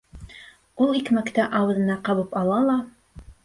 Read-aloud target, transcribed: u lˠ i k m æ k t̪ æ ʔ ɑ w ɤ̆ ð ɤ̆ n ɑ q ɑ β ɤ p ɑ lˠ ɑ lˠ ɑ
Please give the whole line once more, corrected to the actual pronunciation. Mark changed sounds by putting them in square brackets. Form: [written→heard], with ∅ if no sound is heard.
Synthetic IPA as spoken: u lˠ i k m æ k t̪ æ ʔ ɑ w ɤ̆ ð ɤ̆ n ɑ q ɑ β ɤ p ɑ lˠ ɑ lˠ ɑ